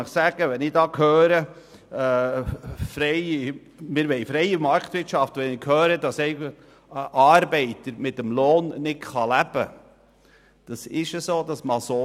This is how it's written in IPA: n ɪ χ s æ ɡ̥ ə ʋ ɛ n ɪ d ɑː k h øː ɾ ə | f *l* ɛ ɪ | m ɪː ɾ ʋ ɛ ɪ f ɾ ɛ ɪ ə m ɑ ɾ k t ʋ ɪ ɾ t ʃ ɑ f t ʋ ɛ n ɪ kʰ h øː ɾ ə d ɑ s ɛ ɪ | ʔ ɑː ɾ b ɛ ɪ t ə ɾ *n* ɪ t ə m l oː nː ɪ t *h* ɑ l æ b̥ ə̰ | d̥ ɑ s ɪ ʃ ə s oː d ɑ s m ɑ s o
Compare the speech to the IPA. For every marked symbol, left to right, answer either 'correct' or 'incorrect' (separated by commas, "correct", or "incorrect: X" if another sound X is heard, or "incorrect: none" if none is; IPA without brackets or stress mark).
incorrect: ɾ, incorrect: m, incorrect: χ